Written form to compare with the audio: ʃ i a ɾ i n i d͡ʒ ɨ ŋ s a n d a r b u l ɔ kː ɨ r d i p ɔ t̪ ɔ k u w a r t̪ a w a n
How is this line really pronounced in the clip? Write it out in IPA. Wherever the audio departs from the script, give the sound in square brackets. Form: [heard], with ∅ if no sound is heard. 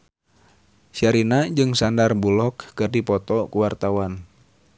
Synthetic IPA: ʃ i a ɾ i n [a] d͡ʒ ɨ ŋ s a n d a r b u l ɔ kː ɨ r d i p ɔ t̪ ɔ k u w a r t̪ a w a n